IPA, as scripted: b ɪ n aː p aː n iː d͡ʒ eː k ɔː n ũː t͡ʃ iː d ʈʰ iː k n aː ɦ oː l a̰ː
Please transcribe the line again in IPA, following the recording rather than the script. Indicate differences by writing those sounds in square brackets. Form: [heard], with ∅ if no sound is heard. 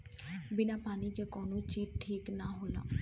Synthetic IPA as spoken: b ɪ n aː p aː n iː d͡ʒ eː k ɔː n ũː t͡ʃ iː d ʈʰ iː k n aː ɦ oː l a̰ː